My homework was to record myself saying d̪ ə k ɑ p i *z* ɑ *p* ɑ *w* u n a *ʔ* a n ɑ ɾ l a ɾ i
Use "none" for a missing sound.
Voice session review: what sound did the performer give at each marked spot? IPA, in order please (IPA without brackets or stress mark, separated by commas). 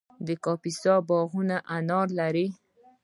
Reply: s, b, ɣ, ʔ